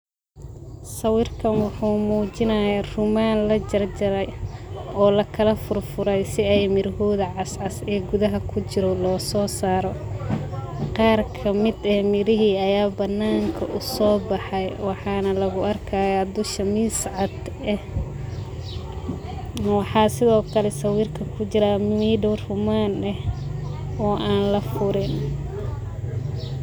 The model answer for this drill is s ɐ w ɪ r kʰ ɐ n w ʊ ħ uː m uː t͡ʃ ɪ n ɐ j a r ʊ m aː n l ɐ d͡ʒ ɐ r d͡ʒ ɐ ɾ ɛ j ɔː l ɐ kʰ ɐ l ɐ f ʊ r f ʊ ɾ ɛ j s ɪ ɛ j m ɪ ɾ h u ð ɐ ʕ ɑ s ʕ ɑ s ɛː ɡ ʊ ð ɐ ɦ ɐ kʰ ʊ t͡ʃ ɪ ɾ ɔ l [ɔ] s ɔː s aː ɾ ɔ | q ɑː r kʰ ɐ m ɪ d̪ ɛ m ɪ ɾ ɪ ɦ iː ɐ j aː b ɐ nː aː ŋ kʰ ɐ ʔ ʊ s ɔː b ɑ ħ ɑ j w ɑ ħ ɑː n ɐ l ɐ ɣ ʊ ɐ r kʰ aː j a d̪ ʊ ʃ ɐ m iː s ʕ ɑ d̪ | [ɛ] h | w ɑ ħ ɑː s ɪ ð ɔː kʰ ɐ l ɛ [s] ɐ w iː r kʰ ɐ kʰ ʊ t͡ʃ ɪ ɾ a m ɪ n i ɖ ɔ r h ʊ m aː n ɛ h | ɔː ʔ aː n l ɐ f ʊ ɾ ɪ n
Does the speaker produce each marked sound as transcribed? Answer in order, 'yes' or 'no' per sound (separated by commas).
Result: no, yes, yes